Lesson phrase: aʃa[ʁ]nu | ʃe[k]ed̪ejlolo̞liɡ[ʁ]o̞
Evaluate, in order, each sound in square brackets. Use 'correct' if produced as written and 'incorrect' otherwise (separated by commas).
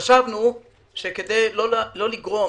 incorrect, correct, correct